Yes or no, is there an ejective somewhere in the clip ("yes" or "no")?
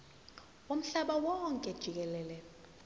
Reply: yes